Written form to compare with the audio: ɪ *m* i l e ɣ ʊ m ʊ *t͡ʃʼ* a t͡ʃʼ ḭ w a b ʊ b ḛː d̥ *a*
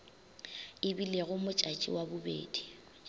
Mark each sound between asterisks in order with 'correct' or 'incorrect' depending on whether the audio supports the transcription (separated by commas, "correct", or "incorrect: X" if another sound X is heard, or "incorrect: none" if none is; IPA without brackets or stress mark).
incorrect: b, correct, incorrect: i